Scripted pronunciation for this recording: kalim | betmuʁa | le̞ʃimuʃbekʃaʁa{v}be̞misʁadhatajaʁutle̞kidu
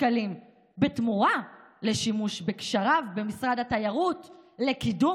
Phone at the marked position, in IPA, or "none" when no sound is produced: v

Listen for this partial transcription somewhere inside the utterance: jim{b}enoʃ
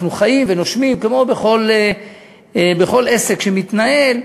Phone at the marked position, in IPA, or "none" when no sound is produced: v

